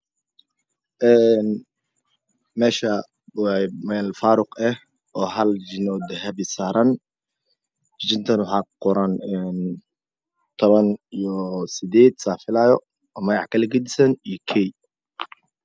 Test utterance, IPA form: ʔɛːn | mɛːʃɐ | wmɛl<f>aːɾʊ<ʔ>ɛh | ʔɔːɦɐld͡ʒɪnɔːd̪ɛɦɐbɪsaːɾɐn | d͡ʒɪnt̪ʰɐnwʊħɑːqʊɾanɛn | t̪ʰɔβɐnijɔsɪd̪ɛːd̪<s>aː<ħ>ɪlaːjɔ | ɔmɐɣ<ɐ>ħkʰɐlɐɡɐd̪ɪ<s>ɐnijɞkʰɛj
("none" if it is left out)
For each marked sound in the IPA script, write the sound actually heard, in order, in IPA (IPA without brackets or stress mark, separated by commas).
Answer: f, q, s, f, ɑ, s